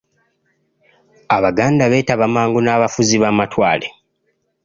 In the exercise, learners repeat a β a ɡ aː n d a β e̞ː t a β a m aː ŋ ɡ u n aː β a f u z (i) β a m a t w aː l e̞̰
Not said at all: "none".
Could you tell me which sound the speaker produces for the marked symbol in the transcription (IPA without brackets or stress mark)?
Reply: i